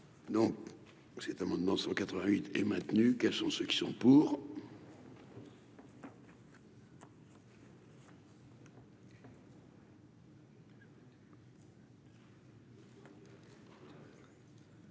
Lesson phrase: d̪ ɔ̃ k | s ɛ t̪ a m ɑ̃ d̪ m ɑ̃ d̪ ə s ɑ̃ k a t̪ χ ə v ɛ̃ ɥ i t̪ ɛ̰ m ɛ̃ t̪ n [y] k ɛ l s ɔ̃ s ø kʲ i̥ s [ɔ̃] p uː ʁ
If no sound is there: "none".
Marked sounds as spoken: y, ɔ̃

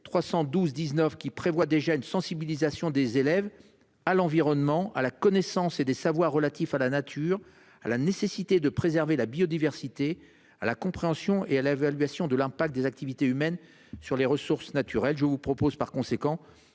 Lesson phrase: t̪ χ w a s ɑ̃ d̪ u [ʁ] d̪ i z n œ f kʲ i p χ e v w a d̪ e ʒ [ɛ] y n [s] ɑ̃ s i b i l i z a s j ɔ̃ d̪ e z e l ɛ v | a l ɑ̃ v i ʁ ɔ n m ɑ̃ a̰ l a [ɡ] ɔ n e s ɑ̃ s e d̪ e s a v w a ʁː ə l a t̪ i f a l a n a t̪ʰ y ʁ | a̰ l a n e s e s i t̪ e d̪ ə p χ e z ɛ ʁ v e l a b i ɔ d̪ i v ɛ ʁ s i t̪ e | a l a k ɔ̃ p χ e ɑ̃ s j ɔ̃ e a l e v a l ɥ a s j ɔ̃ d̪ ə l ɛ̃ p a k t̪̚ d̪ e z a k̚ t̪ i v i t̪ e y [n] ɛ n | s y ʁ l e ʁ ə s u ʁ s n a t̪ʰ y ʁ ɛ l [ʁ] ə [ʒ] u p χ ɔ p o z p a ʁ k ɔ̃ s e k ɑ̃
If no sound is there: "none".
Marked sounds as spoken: z, a, s, k, m, ʒ, v

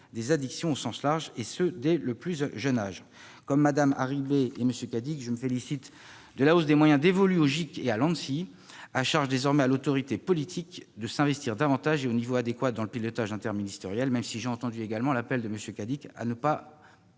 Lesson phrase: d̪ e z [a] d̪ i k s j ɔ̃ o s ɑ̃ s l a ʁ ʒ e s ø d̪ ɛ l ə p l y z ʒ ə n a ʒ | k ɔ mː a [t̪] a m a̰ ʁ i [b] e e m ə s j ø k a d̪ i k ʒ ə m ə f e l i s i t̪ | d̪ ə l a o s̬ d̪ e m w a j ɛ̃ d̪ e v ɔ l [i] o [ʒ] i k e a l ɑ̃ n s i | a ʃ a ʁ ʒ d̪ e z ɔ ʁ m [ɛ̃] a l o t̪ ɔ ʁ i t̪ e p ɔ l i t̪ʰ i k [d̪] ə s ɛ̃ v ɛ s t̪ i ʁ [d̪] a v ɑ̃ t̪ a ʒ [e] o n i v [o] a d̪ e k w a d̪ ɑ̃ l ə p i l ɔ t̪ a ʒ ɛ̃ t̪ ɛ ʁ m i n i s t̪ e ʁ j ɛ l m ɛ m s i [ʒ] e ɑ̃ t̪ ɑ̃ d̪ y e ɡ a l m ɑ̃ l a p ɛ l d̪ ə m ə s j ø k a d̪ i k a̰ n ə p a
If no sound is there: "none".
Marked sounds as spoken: a, d̪, b, y, ʒ, ɛ, d̪, d̪, e, o, ʒ

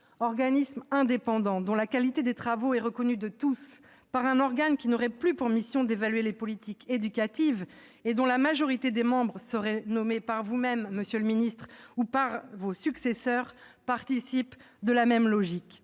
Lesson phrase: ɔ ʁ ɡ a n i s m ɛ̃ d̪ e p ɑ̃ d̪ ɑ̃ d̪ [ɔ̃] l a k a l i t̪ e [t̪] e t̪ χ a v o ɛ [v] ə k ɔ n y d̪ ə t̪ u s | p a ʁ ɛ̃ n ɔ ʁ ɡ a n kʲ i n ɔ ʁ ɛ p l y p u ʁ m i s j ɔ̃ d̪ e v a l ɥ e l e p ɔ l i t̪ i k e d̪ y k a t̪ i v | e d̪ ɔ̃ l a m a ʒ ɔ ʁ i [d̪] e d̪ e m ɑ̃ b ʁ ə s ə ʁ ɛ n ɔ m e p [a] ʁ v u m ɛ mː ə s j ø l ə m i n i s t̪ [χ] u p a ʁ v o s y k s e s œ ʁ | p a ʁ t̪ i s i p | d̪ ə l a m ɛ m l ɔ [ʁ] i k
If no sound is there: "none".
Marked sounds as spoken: ɔ̃, d̪, ʁ, t̪, a, χ, ʒ

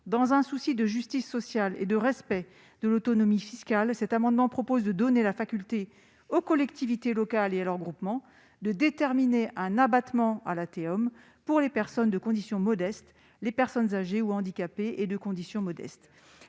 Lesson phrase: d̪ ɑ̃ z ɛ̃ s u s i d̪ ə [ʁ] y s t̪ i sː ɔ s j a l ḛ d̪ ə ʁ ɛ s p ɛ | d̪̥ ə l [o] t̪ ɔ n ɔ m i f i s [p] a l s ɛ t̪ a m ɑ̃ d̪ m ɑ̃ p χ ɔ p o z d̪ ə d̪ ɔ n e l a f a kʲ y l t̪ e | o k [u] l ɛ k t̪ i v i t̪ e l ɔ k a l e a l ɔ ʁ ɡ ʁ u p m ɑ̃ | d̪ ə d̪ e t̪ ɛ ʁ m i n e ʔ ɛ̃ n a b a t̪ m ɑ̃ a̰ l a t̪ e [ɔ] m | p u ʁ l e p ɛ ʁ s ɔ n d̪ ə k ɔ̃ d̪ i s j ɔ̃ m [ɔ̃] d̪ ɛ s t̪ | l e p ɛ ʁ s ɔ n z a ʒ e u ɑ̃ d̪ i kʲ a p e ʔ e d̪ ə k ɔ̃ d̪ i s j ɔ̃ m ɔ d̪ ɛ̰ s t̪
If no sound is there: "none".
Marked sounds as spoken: ʒ, o, k, ɔ, ɔ, ɔ

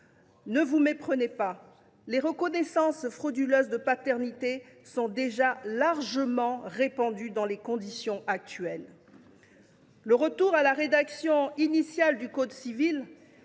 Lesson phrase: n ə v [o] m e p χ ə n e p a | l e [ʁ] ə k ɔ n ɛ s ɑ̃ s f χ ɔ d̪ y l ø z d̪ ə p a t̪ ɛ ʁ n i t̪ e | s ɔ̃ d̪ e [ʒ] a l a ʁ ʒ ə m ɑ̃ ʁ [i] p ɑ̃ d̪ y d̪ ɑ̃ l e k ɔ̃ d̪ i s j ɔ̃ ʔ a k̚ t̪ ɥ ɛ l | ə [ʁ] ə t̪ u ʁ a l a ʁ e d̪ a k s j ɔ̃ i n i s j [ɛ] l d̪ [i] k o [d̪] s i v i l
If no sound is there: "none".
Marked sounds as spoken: u, ʁ, ʒ, e, ʁ, a, y, d̪

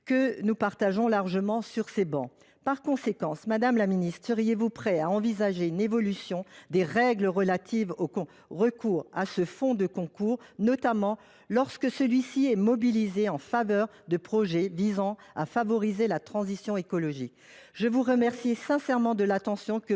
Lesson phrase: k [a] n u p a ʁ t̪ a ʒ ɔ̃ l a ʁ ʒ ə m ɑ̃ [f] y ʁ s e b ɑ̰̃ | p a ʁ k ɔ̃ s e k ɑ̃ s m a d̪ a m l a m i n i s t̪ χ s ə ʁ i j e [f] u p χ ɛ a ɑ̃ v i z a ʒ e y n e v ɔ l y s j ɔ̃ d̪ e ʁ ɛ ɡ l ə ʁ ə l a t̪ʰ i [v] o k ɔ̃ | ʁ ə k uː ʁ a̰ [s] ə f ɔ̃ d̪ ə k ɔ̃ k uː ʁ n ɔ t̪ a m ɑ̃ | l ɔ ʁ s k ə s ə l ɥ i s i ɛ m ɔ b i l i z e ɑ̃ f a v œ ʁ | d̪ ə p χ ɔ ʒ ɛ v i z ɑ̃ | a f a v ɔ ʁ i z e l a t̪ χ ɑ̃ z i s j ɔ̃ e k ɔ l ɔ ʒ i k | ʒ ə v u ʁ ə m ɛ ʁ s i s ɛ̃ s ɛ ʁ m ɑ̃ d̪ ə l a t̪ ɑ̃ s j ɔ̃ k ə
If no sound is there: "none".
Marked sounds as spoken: ə, s, v, v, s

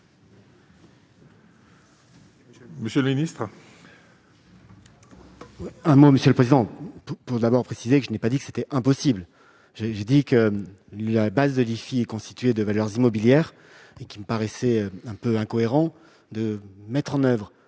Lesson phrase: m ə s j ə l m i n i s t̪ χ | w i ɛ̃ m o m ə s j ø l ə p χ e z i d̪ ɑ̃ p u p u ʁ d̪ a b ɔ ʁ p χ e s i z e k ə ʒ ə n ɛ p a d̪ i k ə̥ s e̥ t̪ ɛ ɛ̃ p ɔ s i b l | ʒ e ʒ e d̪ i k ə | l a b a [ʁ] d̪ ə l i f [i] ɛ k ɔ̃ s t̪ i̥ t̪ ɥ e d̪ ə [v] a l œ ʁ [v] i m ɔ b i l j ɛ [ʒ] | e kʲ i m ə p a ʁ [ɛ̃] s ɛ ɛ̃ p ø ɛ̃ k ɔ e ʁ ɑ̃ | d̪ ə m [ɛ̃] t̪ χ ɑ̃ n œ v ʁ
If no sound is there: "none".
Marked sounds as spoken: z, i, v, z, ʁ, ɛ, ɛ

